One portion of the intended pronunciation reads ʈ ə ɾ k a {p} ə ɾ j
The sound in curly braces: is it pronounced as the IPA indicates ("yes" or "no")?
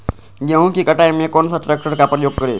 yes